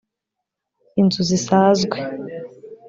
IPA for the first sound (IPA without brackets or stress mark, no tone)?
i